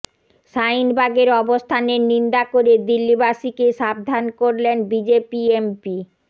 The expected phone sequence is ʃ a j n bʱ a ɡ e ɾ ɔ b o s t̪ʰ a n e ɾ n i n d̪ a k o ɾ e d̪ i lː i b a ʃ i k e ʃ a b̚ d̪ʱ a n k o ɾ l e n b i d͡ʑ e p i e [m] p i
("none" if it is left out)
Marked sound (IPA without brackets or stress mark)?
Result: m